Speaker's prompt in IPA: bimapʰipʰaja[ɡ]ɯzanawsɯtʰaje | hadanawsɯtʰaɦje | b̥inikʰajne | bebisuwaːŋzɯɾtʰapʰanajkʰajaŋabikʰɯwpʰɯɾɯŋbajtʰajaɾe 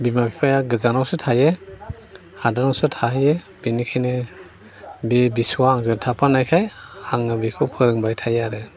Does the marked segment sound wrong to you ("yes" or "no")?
no